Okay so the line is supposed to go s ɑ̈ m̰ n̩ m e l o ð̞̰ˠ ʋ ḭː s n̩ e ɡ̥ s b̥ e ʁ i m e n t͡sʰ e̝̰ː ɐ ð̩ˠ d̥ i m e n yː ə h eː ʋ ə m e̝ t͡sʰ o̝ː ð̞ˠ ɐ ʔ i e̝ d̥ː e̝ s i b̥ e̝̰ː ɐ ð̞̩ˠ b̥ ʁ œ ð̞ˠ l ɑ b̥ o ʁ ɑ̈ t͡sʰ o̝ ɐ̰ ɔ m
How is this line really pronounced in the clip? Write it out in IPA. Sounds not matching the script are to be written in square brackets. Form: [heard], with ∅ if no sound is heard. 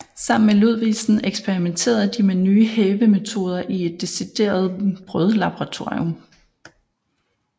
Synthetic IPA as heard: s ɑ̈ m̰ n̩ m e l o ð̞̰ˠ ʋ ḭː s n̩ e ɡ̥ s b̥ e ʁ i m e n t͡sʰ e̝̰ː ɐ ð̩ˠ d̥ i m e n yː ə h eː ʋ ə m e̝ t͡sʰ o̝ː ð̞ˠ ɐ ʔ i e̝ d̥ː e̝ s i [d̥] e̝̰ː ɐ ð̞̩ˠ b̥ ʁ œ ð̞ˠ l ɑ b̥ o ʁ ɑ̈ t͡sʰ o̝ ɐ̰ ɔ m